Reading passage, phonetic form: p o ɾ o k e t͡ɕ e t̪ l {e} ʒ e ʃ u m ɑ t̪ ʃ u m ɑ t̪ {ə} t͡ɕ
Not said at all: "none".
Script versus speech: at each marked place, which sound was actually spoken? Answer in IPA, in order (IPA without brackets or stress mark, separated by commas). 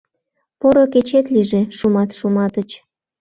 i, ə